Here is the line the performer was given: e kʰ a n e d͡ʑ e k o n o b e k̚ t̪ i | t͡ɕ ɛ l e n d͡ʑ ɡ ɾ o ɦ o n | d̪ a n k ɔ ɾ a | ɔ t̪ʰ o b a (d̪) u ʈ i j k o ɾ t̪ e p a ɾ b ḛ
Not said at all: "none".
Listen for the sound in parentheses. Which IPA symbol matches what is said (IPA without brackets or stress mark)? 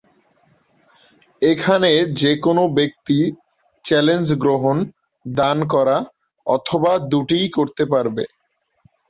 d̪